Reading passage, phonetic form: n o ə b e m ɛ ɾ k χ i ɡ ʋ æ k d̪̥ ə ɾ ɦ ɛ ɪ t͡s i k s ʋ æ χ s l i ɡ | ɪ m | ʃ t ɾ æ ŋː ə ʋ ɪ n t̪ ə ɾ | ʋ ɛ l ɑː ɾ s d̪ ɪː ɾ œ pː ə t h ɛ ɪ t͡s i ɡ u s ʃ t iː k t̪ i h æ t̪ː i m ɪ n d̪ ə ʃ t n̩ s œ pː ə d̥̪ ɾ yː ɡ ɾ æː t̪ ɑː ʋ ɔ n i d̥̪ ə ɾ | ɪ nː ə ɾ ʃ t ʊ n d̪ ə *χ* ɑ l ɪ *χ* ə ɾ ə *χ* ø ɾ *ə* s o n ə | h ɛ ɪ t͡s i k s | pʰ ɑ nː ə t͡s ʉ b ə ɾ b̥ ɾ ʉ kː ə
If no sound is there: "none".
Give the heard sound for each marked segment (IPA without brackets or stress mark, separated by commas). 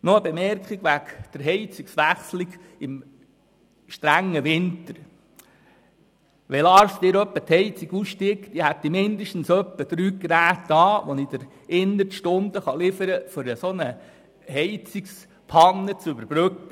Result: χ, f, f, ə